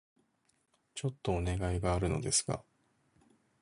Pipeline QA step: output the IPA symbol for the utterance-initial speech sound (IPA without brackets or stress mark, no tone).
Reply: t͡ɕ